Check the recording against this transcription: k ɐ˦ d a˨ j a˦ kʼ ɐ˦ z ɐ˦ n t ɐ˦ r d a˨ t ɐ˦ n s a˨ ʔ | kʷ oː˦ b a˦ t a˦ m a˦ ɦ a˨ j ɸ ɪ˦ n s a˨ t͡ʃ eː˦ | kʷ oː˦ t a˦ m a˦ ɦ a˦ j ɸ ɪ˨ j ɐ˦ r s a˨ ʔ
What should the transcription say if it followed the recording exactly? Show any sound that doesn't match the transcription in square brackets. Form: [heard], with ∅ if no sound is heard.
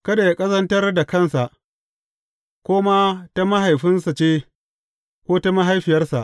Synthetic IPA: k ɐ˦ d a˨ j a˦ kʼ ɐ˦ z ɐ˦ n t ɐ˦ r d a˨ [k] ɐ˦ n s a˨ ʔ | kʷ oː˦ [m] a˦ t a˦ m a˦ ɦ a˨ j ɸ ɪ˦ n s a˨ t͡ʃ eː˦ | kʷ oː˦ t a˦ m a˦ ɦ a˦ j ɸ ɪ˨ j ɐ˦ r s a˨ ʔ